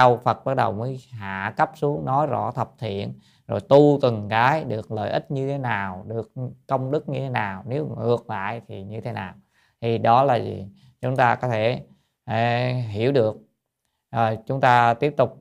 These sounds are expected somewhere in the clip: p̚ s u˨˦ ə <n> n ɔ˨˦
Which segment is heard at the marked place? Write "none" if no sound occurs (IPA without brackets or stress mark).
ŋ